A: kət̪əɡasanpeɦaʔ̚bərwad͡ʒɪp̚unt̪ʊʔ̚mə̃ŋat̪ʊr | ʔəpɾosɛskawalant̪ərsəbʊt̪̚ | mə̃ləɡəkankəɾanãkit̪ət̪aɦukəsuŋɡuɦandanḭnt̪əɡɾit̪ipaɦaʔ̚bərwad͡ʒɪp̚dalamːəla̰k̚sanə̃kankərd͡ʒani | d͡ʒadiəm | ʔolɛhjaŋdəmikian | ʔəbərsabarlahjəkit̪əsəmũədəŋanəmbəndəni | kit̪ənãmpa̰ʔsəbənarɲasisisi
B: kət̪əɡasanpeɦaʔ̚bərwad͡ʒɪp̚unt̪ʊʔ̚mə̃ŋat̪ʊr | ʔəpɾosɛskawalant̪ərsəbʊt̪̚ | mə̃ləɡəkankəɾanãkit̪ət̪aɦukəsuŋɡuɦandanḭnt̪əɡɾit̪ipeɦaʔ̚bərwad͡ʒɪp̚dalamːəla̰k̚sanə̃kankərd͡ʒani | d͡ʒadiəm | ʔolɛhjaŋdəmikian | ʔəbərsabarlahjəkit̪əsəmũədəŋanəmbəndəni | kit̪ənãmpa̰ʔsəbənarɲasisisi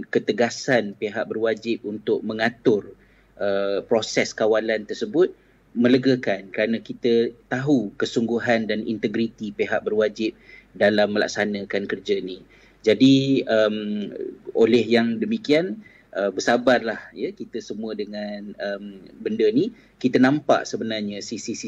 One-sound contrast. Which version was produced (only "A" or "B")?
B